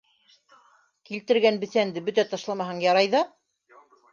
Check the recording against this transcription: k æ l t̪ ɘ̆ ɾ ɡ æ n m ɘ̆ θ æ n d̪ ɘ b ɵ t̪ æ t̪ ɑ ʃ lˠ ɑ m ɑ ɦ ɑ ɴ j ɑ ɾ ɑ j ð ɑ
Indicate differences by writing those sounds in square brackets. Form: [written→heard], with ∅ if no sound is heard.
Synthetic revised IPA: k [æ→i] l t̪ ɘ̆ ɾ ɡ æ n [m→b] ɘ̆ θ æ n d̪ ɘ b ɵ t̪ æ t̪ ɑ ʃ lˠ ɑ m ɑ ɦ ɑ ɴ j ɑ ɾ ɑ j ð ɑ